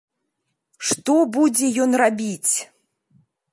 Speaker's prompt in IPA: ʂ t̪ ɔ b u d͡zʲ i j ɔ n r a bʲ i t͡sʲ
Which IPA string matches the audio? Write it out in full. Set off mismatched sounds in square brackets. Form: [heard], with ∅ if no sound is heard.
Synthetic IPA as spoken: ʂ t̪ ɔ b u d͡zʲ [ɛ] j ɔ n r a bʲ i t͡sʲ